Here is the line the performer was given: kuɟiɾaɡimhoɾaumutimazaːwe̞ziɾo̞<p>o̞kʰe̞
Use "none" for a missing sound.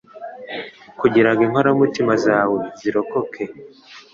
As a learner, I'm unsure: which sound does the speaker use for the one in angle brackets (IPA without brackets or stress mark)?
k